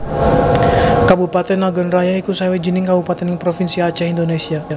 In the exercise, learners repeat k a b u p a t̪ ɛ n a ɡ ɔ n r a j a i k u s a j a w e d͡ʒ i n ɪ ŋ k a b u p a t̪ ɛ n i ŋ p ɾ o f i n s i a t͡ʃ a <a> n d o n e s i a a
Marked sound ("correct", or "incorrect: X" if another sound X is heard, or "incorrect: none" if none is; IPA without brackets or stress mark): incorrect: i